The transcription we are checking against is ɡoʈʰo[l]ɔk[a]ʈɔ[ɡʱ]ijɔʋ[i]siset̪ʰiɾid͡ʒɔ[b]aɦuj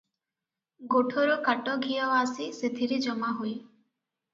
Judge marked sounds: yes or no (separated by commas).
no, yes, yes, no, no